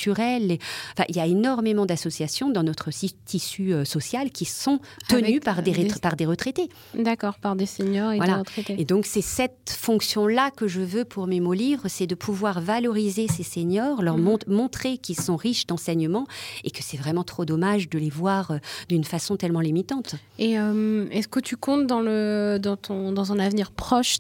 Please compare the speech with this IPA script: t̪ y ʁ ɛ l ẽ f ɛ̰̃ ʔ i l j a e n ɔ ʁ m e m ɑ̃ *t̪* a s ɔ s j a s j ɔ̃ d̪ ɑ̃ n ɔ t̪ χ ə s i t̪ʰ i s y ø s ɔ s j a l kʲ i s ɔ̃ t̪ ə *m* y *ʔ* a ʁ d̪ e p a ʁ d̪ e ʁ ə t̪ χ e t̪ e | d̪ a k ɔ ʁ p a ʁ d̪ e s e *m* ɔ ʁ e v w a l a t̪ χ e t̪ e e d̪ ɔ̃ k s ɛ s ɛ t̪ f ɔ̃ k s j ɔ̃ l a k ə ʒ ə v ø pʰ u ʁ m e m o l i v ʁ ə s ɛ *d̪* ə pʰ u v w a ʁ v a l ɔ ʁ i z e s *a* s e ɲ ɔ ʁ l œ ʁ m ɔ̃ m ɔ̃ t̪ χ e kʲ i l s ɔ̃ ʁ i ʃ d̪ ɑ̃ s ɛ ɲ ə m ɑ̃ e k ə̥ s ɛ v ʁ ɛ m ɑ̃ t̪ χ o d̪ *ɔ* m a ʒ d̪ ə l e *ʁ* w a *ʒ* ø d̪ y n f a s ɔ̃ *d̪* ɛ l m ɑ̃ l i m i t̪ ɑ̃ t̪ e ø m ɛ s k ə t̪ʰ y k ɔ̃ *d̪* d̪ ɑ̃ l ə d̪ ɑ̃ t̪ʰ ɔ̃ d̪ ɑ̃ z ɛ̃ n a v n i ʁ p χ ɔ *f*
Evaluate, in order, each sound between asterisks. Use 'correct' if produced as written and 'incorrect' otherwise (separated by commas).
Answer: incorrect, incorrect, incorrect, incorrect, correct, incorrect, correct, incorrect, incorrect, incorrect, incorrect, incorrect